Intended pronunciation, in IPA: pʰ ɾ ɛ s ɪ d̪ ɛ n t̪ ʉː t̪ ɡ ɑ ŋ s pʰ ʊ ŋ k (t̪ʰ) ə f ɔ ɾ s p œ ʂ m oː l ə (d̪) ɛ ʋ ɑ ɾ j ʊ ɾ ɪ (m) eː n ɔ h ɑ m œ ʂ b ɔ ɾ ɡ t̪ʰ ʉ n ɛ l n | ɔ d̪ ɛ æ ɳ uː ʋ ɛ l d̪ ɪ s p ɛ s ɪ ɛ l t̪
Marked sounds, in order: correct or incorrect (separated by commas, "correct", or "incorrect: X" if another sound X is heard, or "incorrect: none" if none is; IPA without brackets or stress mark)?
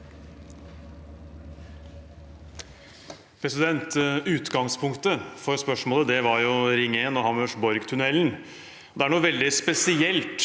incorrect: t̪, correct, incorrect: ŋ